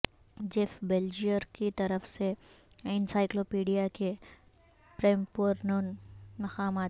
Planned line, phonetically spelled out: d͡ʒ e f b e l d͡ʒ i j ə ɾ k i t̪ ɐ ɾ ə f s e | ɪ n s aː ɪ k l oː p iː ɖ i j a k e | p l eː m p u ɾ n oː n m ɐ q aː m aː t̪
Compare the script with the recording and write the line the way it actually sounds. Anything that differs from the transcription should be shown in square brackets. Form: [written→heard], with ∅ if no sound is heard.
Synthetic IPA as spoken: d͡ʒ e f b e l d͡ʒ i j ə ɾ k i t̪ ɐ ɾ ə f s e | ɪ n s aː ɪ k l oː p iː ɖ i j a k e | p [l→ɾ] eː m p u ɾ n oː n m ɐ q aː m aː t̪

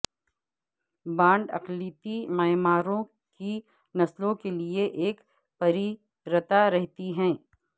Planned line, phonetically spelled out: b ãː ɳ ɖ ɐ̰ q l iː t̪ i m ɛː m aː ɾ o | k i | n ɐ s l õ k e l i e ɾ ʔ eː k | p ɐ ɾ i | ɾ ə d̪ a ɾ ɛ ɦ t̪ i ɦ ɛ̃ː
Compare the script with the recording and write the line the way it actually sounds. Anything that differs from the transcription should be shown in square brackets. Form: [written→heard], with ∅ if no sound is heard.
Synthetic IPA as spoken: b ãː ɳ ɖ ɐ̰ q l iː t̪ i m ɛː m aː ɾ [o→õ] | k i | n ɐ s l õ k e l i e [ɾ→∅] ʔ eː k | p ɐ ɾ i | ɾ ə [d̪→t̪] a ɾ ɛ ɦ t̪ i ɦ ɛ̃ː

